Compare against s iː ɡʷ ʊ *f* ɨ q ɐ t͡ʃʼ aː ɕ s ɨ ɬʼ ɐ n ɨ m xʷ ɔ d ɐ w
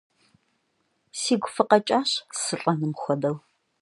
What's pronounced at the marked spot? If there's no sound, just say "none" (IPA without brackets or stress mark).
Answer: f